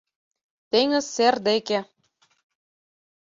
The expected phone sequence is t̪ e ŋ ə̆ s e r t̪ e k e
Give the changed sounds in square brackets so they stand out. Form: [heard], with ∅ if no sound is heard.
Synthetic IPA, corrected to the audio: t̪ e ŋ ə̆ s e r [d̪] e k e